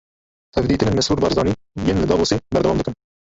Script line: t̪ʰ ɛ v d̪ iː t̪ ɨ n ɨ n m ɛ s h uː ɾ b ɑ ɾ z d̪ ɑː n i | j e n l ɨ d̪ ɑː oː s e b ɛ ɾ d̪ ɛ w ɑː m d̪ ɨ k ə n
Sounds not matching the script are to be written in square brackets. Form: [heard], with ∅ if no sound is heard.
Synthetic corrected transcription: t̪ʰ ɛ v d̪ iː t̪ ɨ n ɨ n m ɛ s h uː ɾ b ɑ ɾ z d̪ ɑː n i | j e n l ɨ d̪ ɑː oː s e b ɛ ɾ d̪ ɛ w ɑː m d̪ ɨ k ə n